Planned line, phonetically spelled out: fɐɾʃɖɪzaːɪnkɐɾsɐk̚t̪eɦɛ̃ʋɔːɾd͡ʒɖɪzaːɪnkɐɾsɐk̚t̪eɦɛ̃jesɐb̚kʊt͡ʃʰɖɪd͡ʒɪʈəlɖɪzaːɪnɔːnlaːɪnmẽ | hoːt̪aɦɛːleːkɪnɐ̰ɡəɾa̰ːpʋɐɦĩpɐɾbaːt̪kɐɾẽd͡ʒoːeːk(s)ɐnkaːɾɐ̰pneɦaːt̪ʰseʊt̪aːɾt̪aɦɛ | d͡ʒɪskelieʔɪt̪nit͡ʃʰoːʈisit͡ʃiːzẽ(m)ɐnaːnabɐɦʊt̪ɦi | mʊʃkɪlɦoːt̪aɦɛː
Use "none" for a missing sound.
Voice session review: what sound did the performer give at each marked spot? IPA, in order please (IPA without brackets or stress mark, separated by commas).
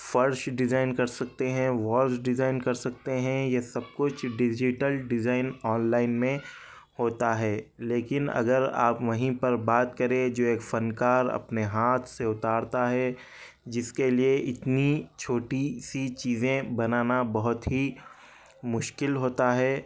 f, b